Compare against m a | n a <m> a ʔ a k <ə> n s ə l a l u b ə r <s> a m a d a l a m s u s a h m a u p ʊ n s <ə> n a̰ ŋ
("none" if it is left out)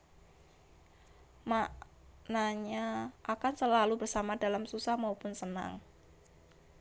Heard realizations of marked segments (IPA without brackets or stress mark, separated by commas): ɲ, a, s, ə